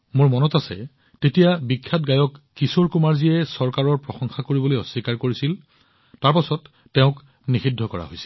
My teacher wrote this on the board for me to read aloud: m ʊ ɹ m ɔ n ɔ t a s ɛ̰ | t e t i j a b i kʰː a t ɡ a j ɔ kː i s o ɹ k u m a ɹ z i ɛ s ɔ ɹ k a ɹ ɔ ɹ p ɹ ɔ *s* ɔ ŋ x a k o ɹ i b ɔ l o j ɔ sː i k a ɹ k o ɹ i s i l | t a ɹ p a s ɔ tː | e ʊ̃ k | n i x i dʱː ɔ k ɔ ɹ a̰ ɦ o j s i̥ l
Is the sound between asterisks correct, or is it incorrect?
incorrect